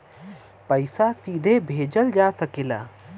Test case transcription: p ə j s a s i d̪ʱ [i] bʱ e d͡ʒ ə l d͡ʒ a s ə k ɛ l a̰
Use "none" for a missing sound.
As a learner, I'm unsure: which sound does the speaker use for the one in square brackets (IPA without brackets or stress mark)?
e